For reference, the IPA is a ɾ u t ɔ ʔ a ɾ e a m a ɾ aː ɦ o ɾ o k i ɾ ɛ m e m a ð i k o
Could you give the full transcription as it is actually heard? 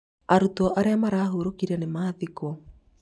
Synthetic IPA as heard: a ɾ u t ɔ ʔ a ɾ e a m a ɾ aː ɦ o ɾ o k i ɾ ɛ n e m a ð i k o